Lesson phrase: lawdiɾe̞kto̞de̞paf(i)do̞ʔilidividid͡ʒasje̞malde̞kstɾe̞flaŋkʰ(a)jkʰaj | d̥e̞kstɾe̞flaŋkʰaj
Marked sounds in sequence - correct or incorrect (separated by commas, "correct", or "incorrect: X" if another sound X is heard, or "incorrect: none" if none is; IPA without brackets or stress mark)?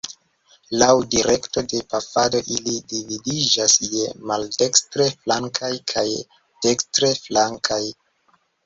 incorrect: a, correct